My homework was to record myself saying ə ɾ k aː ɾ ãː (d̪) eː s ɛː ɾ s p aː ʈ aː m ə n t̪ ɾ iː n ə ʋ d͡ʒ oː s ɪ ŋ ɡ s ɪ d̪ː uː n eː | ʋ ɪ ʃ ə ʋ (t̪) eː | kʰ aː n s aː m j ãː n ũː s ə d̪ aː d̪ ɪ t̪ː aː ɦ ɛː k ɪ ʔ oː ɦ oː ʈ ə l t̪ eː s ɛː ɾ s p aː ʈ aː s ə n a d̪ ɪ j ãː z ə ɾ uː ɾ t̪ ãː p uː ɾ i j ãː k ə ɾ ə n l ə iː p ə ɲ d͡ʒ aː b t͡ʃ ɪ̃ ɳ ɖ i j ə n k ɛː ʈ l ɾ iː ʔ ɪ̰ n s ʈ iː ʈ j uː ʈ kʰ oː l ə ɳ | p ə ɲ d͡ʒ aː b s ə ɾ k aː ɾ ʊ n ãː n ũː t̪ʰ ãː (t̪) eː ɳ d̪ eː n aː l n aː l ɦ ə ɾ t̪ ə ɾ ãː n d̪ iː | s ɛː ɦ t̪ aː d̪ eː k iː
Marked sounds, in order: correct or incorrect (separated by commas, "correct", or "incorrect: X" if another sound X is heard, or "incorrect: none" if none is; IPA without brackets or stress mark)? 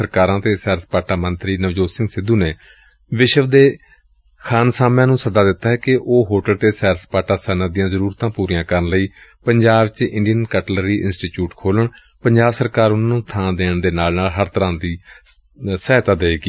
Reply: incorrect: t̪, incorrect: d̪, incorrect: d̪